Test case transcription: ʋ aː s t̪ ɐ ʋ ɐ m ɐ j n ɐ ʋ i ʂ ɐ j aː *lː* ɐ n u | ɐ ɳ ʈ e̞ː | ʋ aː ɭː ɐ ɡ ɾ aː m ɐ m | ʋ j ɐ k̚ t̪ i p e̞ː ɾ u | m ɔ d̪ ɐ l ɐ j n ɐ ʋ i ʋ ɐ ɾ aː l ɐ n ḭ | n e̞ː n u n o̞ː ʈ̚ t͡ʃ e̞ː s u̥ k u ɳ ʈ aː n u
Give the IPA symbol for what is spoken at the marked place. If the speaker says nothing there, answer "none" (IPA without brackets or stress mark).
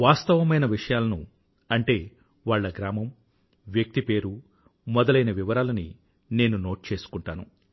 l